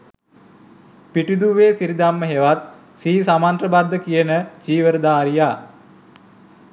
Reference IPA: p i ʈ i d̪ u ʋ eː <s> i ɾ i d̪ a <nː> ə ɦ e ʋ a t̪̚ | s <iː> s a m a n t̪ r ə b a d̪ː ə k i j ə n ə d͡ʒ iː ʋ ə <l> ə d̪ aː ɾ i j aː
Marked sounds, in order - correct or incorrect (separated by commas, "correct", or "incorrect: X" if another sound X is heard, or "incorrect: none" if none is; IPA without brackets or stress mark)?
correct, incorrect: mː, correct, incorrect: ɾ